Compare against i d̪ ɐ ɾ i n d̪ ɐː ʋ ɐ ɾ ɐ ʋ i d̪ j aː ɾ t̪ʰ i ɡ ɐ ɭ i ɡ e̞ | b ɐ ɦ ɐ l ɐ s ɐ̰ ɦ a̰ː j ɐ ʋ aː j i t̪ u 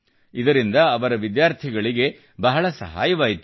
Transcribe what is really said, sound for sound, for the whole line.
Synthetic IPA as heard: i d̪ ɐ ɾ i n d̪ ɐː ʋ ɐ ɾ ɐ ʋ i d̪ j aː ɾ t̪ʰ i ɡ ɐ ɭ i ɡ e̞ | b ɐ ɦ ɐ ɭ ɐ s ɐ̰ ɦ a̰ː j ɐ ʋ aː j i t̪ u

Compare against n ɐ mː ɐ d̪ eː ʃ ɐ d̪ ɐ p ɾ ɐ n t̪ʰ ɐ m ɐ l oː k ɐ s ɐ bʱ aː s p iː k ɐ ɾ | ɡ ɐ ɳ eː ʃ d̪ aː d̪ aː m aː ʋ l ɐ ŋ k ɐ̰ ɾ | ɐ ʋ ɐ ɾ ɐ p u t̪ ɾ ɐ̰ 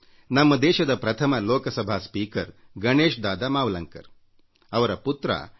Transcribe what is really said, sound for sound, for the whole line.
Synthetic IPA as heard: n ɐ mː ɐ d̪ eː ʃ ɐ d̪ ɐ p ɾ ɐ t̪ʰ ɐ m ɐ l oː k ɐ s ɐ bʱ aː s p iː k ɐ ɾ | ɡ ɐ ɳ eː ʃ d̪ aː d̪ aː m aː ʋ l ɐ ŋ k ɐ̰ ɾ | ɐ ʋ ɐ ɾ ɐ p u t̪ ɾ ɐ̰

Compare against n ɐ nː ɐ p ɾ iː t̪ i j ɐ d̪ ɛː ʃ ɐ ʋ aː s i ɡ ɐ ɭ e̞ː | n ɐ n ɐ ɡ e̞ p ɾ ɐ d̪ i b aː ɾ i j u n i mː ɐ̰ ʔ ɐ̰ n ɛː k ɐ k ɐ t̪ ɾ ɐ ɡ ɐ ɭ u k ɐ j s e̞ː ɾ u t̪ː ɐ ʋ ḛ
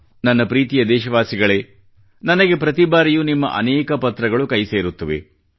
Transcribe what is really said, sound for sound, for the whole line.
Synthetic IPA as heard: n ɐ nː ɐ p ɾ iː t̪ i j ɐ d̪ ɛː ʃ ɐ ʋ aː s i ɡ ɐ ɭ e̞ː | n ɐ n ɐ ɡ e̞ p ɾ ɐ t̪ i b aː ɾ i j u n i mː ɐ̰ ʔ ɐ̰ n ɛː k ɐ p ɐ t̪ ɾ ɐ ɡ ɐ ɭ u k ɐ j s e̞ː ɾ u t̪ː ɐ ʋ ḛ

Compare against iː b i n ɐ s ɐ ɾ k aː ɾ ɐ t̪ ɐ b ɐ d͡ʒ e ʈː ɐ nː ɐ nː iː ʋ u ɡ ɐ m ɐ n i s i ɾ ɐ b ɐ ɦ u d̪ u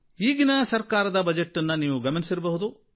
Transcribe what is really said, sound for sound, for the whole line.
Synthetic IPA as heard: iː ɡ i n ɐ s ɐ ɾ k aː ɾ ɐ d̪ ɐ b ɐ d͡ʒ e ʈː ɐ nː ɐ n iː ʋ u ɡ ɐ m ɐ n i s i ɾ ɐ b ɐ ɦ u d̪ u

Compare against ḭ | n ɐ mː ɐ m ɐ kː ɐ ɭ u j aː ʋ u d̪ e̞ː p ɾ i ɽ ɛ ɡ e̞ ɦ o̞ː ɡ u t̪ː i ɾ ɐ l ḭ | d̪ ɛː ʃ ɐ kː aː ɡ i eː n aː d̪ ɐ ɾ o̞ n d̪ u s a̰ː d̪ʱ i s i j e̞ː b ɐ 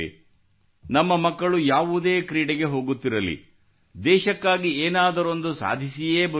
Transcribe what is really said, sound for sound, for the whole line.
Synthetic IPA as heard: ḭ | n ɐ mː ɐ m ɐ kː ɐ ɭ u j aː ʋ u d̪ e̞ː k ɾ iː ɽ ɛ ɡ e̞ ɦ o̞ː ɡ u t̪ː i ɾ ɐ l ḭ | d̪ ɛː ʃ ɐ kː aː ɡ i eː n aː d̪ ɐ ɾ o̞ n d̪ u s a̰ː d̪ʱ i s i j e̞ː b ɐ

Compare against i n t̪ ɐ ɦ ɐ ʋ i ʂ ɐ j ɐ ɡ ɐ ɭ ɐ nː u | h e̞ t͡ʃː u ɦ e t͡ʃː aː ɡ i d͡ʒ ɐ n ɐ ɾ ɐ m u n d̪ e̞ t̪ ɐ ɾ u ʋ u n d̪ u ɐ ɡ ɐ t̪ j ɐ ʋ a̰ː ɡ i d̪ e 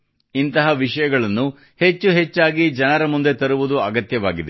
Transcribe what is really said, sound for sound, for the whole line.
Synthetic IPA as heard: i n t̪ ɐ ɦ ɐ ʋ i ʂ ɐ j ɐ ɡ ɐ ɭ ɐ nː u | h e̞ t͡ʃː u ɦ e t͡ʃː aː ɡ i d͡ʒ ɐ n ɐ ɾ ɐ m u n d̪ e̞ t̪ ɐ ɾ u ʋ u d̪ u ɐ ɡ ɐ t̪ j ɐ ʋ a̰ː ɡ i d̪ e

